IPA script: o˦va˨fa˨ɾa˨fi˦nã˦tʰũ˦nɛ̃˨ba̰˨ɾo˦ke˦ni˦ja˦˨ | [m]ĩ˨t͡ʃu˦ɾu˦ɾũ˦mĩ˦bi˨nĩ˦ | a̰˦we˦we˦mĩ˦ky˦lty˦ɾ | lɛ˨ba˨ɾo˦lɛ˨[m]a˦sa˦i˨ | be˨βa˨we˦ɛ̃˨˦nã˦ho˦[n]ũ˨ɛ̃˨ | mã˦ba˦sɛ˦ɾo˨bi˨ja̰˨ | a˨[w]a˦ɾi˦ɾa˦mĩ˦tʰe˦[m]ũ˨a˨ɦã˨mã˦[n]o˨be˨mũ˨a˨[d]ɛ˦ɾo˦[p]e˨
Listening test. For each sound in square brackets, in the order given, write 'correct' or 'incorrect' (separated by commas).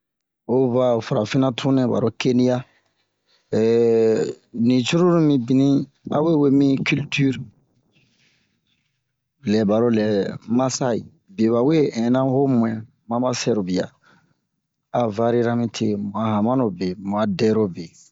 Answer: incorrect, correct, incorrect, incorrect, correct, correct, correct, incorrect